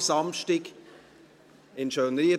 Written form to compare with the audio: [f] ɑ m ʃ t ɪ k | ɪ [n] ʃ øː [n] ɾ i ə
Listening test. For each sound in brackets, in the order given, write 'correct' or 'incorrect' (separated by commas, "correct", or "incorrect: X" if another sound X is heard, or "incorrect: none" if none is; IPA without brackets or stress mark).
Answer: incorrect: s, correct, correct